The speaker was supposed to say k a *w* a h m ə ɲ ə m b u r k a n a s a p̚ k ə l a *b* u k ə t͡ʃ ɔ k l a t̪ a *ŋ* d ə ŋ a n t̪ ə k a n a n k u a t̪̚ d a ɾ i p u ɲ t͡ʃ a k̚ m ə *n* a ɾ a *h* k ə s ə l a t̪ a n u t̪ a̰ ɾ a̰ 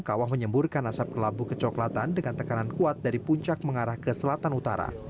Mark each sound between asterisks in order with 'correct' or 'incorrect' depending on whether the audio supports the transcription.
correct, correct, incorrect: n, incorrect: ŋ, correct

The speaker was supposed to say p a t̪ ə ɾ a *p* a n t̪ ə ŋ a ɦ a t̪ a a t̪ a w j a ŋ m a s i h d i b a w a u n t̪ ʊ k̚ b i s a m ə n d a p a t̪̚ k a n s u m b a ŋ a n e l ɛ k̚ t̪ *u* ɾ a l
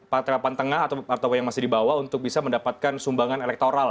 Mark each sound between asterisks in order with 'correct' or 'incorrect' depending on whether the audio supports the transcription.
correct, incorrect: o

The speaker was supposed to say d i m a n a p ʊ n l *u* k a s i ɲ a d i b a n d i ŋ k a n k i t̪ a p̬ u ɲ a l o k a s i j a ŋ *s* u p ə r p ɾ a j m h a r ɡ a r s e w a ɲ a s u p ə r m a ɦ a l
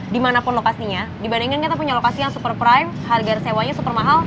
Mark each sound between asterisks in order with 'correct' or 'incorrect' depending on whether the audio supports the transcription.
incorrect: o, correct

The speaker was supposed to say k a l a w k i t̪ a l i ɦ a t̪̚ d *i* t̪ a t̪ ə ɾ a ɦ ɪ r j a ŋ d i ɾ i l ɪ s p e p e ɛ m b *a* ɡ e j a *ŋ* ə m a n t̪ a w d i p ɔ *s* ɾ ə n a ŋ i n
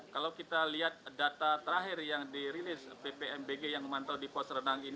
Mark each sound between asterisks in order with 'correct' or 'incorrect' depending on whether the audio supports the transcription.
incorrect: a, incorrect: e, correct, correct

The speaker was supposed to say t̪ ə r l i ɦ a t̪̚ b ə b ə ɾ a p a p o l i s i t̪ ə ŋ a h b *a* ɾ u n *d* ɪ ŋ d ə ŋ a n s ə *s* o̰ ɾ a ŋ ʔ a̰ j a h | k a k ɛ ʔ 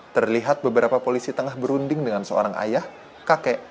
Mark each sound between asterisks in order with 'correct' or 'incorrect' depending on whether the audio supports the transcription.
incorrect: ə, correct, incorrect: none

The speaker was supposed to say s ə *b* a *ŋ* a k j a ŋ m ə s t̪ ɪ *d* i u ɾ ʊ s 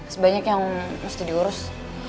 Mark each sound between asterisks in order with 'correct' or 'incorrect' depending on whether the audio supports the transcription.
correct, incorrect: ɲ, correct

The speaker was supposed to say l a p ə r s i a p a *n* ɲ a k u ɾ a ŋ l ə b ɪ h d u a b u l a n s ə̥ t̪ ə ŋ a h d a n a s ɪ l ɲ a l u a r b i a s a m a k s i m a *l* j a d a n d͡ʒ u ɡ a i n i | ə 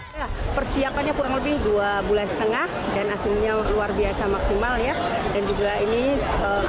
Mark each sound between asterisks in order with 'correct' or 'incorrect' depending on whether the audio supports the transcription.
correct, correct

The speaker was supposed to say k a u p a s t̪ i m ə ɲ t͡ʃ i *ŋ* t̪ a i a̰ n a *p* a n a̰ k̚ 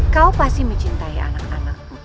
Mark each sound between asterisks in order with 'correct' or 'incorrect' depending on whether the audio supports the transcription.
incorrect: n, incorrect: k

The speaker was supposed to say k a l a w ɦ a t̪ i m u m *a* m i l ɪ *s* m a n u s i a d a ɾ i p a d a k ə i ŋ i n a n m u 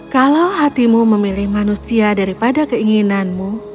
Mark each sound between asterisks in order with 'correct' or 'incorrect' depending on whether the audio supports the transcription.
incorrect: ə, incorrect: h

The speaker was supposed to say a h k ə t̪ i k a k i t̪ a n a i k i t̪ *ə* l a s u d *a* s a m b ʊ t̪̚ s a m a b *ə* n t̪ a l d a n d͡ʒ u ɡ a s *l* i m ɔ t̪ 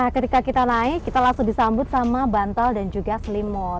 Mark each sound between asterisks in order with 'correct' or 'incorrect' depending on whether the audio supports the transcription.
incorrect: a, incorrect: i, incorrect: a, correct

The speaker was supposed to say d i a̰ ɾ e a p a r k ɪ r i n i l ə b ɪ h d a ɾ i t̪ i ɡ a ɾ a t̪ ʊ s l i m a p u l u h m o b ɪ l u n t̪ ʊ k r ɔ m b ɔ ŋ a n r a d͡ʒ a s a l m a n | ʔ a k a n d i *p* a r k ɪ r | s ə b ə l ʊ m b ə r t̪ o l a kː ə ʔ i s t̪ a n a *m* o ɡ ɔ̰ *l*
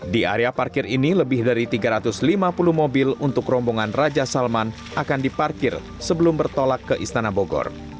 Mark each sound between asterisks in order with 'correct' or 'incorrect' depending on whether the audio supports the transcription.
correct, incorrect: b, incorrect: r

